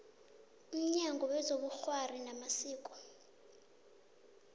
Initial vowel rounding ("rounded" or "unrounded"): rounded